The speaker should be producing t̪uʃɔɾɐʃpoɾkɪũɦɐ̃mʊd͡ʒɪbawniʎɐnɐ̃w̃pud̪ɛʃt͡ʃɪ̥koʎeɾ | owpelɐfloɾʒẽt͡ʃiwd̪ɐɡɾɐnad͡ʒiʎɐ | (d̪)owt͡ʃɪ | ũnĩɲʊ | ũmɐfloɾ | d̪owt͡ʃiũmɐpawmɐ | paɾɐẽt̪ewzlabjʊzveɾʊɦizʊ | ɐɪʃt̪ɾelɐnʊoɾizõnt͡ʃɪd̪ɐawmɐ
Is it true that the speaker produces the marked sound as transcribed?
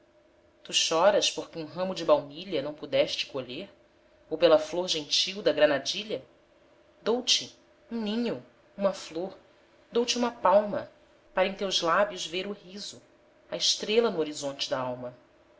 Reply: yes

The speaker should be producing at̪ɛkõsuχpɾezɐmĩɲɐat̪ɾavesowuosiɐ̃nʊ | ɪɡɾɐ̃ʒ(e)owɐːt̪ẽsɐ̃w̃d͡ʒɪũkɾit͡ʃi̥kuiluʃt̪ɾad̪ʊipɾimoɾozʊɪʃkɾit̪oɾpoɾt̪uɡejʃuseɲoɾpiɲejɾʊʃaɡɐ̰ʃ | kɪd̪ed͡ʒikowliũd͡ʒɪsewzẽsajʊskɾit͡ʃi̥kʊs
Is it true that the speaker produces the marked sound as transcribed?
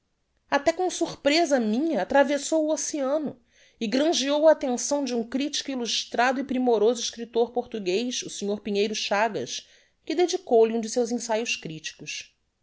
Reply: no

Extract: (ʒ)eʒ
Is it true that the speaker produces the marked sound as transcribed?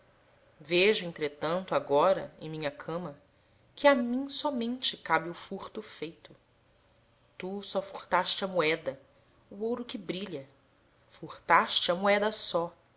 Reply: no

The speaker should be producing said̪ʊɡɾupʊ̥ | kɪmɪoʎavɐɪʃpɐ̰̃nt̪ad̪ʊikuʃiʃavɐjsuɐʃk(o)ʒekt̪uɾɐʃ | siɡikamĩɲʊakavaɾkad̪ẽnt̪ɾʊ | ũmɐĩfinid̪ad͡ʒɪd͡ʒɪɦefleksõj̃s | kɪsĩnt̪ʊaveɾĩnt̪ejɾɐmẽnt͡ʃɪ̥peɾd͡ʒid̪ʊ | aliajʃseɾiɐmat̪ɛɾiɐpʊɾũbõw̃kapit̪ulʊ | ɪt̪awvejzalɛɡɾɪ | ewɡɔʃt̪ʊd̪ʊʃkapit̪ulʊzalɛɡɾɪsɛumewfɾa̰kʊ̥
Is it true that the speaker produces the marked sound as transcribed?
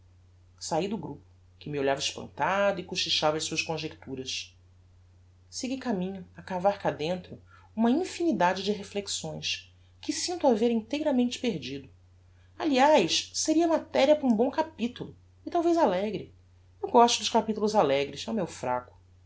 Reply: no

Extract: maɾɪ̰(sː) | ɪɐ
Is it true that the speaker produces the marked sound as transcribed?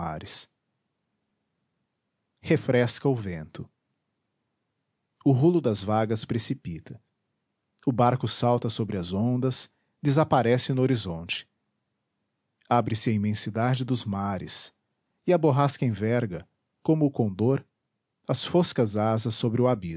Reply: no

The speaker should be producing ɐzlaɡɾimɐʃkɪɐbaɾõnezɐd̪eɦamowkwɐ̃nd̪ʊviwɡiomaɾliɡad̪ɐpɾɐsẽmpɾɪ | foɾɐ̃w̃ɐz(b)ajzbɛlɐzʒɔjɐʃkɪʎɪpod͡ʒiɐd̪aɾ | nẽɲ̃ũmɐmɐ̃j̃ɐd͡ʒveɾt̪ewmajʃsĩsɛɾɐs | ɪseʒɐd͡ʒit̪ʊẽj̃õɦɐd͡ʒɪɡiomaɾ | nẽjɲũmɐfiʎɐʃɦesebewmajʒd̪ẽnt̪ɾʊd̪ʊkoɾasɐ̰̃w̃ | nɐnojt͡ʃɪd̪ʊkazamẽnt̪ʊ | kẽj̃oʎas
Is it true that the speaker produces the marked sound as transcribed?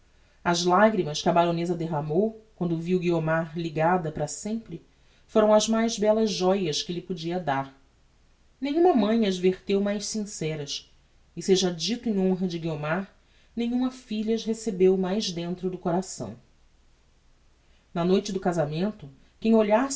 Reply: no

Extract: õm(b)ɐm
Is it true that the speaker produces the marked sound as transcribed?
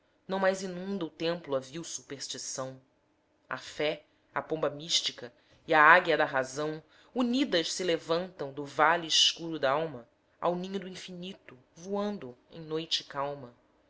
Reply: yes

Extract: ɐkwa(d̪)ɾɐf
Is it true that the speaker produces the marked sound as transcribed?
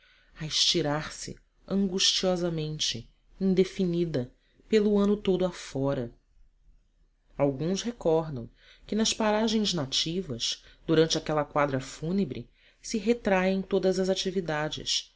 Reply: yes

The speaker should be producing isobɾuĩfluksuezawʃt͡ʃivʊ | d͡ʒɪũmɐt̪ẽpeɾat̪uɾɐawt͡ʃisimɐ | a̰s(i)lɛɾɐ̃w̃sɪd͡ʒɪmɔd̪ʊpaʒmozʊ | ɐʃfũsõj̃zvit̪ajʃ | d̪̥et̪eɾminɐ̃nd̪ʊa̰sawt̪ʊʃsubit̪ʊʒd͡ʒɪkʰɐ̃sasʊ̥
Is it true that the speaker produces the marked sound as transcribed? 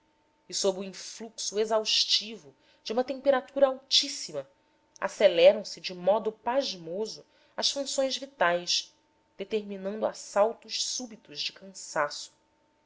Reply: no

